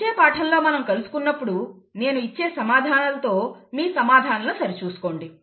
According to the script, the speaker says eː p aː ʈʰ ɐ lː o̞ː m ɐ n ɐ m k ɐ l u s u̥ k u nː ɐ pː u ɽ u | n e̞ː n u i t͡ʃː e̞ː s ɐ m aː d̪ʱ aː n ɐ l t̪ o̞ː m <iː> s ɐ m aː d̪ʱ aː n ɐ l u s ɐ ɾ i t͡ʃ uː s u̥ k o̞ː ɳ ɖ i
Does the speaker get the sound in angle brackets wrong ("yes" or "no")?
no